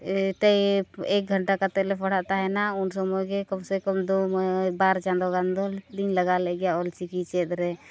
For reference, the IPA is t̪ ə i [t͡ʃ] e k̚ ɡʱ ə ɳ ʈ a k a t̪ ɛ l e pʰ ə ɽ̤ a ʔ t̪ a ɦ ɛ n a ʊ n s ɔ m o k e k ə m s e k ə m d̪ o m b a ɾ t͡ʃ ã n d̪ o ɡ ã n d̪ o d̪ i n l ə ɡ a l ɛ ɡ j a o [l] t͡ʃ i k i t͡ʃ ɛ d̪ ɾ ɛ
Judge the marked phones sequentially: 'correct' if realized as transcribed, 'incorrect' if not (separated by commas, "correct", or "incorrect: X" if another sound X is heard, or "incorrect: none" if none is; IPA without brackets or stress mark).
incorrect: none, correct